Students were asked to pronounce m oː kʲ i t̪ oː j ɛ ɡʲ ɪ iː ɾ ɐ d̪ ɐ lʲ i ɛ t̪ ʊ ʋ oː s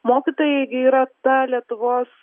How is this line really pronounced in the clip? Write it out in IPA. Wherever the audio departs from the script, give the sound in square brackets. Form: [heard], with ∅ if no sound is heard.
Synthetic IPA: m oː kʲ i t̪ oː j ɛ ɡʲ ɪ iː ɾ ɐ [t̪] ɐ lʲ i ɛ t̪ ʊ ʋ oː s